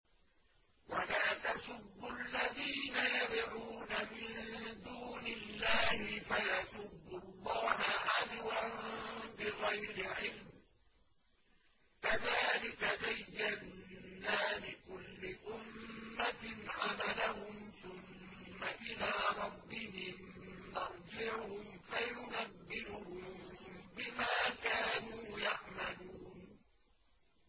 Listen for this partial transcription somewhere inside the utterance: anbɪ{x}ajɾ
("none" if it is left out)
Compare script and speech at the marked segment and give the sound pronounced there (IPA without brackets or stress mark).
ɣ